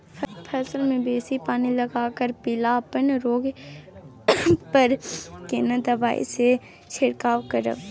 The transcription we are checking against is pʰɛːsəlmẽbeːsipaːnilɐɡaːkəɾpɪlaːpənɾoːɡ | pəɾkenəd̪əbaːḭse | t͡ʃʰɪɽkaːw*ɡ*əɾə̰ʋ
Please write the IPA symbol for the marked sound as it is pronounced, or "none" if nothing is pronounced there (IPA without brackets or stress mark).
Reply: k